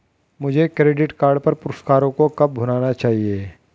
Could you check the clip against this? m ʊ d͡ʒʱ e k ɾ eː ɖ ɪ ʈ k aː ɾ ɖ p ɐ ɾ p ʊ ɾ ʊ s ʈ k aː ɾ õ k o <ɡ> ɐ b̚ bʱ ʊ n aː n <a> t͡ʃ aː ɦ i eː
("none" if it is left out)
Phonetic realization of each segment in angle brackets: k, a

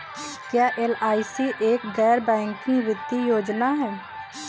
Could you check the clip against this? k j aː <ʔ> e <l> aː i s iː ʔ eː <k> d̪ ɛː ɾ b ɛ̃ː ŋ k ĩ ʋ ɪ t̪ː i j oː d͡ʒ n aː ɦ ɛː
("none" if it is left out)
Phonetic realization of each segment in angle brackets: ʔ, l, k

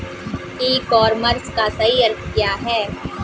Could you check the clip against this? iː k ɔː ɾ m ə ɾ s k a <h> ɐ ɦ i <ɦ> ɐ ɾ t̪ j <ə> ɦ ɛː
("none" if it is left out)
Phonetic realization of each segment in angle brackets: s, none, a

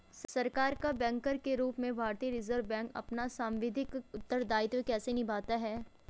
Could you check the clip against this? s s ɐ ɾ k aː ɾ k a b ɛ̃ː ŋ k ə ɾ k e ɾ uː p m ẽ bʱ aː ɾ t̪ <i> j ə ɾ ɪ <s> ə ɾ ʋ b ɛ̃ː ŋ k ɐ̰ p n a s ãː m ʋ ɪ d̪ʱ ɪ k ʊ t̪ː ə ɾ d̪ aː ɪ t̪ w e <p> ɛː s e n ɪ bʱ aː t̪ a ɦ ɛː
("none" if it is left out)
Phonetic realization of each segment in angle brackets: i, z, k

